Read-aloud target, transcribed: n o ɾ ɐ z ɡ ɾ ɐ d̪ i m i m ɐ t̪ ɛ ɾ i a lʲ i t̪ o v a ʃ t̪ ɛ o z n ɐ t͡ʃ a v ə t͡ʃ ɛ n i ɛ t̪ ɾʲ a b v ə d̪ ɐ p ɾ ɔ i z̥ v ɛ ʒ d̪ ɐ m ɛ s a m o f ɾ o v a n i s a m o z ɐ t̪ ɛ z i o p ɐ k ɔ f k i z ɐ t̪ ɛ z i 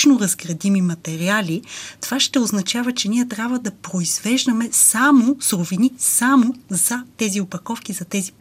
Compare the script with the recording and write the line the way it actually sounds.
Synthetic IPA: n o ɾ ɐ z ɡ ɾ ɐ d̪ i m i m ɐ t̪ ɛ ɾ i a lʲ i t̪ o v a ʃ t̪ ɛ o z n ɐ t͡ʃ a v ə t͡ʃ ɛ n i ɛ t̪ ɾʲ a b v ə d̪ ɐ p ɾ o i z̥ v ɛ ʒ d̪ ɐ m ɛ s a m o s ɾ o v i n i s a m o z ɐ t̪ ɛ z i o p ɐ k ɔ f k i z ɐ t̪ ɛ z i